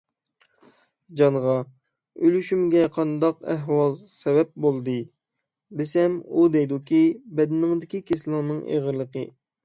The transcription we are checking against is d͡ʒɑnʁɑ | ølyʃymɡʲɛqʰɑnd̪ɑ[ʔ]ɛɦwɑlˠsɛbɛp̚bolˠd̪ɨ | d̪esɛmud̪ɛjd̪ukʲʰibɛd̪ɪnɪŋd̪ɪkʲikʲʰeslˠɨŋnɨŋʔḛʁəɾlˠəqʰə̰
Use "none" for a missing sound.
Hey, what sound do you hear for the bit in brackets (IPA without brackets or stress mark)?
q